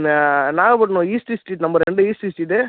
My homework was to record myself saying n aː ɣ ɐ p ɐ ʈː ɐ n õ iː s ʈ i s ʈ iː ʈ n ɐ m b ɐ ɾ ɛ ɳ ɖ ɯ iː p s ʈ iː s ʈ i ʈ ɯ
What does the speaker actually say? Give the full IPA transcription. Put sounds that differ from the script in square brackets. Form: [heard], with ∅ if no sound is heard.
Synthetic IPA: n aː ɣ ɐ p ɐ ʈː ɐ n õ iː s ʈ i s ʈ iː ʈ n ɐ m b ɐ ɾ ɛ ɳ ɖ ɯ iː [∅] s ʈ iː s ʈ i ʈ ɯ